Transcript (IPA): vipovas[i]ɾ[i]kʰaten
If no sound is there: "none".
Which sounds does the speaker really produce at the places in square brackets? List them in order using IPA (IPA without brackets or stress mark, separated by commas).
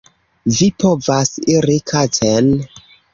i, i